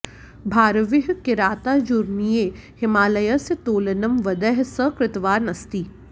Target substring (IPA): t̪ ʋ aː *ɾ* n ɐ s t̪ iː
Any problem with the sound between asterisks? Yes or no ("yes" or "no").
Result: no